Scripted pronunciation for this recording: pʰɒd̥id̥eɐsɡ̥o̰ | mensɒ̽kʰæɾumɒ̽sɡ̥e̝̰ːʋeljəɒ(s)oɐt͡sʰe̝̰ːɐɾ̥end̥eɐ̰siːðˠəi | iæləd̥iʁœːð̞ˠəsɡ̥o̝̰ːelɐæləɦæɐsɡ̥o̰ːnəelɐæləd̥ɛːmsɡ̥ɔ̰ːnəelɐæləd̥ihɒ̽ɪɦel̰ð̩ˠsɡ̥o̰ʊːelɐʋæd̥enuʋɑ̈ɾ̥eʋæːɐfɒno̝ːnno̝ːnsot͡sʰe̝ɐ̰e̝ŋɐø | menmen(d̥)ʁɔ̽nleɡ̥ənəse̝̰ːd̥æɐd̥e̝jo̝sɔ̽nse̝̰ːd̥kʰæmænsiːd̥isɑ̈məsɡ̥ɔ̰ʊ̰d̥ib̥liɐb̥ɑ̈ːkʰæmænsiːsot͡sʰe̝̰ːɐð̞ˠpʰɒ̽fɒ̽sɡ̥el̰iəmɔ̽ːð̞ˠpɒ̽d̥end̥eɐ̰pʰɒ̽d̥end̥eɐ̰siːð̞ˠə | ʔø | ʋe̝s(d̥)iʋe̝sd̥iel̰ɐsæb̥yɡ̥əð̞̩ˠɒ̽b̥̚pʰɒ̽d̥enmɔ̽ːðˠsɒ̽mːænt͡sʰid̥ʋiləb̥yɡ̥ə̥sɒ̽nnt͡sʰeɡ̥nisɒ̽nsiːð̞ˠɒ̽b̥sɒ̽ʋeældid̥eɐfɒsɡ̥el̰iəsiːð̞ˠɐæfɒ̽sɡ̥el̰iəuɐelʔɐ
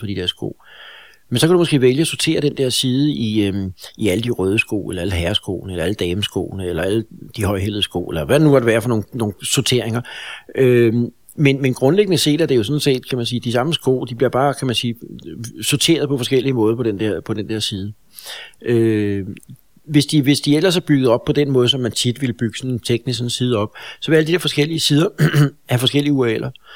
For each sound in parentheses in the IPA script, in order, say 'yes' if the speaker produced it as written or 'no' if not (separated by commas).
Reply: yes, no, yes